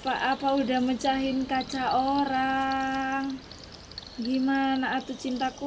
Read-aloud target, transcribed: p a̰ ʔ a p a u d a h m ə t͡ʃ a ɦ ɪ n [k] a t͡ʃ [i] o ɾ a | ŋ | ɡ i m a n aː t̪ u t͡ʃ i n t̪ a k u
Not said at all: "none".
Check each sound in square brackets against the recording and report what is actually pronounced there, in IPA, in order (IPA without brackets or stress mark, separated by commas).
k, a